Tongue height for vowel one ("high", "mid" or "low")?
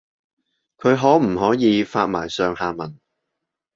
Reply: mid